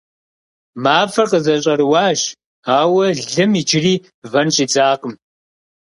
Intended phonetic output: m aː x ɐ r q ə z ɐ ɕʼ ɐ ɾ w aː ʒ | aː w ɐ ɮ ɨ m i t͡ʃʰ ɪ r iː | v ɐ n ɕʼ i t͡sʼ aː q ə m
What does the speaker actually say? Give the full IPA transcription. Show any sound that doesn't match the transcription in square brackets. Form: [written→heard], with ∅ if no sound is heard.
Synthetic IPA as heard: m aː [x→f] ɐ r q ə z ɐ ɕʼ ɐ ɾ w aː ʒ | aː w ɐ ɮ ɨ m i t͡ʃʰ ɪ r iː | v ɐ n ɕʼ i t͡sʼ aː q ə m